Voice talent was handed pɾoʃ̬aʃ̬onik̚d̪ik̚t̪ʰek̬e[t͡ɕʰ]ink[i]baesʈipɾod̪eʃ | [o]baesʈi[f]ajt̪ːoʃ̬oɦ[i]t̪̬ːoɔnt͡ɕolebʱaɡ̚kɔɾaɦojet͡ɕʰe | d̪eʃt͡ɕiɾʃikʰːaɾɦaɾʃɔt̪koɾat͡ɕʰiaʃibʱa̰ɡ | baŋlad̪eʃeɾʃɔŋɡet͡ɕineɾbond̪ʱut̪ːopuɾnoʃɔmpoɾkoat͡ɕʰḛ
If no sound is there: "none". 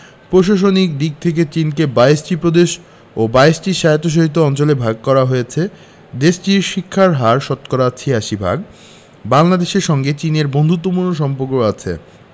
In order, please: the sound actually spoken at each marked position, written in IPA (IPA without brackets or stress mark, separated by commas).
t͡ɕ, e, o, ʃ, i